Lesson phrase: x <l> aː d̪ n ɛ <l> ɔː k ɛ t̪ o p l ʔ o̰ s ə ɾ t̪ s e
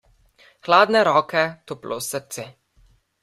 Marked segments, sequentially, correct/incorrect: correct, incorrect: ɾ

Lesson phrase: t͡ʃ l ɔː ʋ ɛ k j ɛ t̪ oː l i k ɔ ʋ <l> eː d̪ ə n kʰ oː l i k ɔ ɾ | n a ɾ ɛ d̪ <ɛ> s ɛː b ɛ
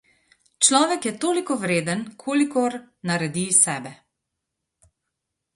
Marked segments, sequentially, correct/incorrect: incorrect: ɾ, incorrect: i

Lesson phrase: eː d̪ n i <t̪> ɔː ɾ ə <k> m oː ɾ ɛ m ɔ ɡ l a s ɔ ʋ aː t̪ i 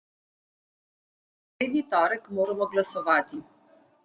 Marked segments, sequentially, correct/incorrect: correct, correct

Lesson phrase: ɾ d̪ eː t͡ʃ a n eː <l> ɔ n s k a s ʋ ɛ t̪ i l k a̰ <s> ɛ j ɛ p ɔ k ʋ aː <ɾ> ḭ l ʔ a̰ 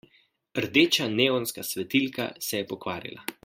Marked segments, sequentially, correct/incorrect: incorrect: none, correct, correct

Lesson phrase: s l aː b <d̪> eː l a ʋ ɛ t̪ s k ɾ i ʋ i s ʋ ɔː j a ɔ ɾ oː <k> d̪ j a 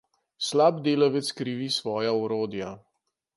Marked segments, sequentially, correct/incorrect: correct, incorrect: none

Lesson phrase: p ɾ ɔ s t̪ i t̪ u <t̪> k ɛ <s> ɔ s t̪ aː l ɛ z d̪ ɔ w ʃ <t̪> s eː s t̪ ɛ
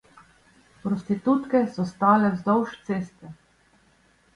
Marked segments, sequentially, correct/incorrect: correct, correct, correct

